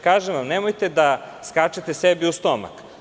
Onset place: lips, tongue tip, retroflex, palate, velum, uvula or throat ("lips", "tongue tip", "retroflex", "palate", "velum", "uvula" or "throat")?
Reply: velum